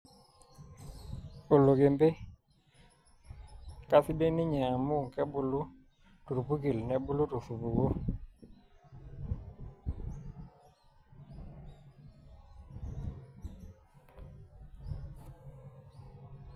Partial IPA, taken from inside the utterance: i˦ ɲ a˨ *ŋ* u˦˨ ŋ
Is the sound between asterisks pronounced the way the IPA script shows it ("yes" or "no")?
no